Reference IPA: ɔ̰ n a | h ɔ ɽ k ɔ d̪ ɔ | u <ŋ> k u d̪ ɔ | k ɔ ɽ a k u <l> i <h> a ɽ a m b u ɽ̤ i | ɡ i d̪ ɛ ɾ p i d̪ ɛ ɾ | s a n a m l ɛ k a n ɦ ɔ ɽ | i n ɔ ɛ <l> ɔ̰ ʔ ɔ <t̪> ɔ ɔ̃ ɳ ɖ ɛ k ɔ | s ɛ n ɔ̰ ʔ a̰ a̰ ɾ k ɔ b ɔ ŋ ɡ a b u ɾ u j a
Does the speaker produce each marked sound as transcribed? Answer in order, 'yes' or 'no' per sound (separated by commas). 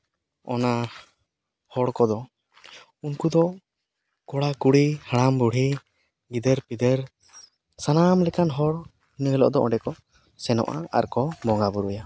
no, no, yes, yes, no